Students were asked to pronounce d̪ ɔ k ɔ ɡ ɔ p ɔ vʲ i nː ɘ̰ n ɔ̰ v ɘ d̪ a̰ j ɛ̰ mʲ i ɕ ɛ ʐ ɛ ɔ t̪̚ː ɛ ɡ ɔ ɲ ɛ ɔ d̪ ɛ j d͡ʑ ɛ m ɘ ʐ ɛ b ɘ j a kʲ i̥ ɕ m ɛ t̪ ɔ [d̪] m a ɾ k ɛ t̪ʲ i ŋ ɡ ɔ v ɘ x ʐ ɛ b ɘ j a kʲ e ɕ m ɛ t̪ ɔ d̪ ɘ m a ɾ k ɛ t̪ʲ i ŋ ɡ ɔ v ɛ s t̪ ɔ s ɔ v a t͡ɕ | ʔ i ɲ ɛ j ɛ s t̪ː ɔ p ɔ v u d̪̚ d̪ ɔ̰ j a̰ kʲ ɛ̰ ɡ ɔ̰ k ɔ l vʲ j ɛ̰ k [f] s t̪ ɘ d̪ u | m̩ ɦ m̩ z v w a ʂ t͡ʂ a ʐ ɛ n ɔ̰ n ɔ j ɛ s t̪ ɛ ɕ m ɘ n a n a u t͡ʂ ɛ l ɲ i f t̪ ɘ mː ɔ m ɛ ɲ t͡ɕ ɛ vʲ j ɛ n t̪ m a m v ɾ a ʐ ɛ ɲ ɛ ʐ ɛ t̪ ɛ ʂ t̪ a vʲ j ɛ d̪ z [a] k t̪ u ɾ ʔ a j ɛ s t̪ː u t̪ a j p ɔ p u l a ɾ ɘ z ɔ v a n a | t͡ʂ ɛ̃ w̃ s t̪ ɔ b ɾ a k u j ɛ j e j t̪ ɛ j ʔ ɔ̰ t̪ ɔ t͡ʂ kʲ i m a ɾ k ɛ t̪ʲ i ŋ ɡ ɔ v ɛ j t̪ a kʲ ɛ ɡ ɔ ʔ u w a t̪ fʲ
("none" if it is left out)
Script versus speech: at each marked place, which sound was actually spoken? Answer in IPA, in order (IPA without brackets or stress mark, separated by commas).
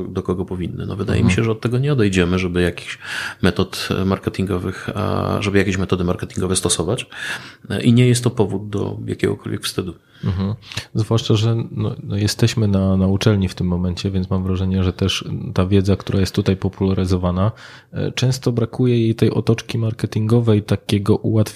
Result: t̪, f, a